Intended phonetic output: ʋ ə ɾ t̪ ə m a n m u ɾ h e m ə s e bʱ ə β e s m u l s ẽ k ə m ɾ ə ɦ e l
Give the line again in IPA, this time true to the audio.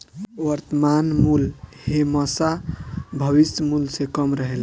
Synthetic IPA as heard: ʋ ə ɾ t̪ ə m a n m u l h e m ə s a bʱ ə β i s m u l s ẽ k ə m ɾ ə ɦ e l